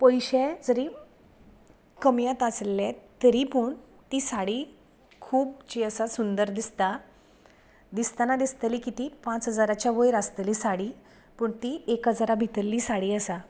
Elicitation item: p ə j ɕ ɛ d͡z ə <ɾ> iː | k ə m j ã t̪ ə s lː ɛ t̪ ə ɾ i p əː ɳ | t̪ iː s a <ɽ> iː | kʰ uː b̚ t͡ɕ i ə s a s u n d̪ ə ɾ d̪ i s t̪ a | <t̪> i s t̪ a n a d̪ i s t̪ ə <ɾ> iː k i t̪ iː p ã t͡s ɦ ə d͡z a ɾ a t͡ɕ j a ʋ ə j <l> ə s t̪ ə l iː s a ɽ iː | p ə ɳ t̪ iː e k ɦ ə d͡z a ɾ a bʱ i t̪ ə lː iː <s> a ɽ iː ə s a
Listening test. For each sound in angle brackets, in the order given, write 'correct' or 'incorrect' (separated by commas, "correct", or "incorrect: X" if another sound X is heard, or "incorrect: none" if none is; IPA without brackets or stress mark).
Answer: correct, correct, incorrect: d̪, incorrect: l, incorrect: ɾ, correct